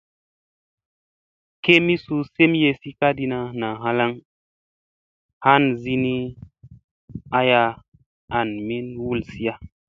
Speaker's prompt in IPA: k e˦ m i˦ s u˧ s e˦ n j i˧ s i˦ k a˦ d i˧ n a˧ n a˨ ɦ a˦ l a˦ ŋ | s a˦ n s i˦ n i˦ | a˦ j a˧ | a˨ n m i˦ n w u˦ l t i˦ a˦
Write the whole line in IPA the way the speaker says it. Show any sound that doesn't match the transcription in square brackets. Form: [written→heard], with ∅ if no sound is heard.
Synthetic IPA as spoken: k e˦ m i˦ s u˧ s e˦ [n→m] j [i˧→e˧] s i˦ k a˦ d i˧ n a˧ n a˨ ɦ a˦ l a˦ ŋ | [s→h] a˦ n [s→z] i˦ n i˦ | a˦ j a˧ | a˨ n m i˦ n w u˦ l [t→s] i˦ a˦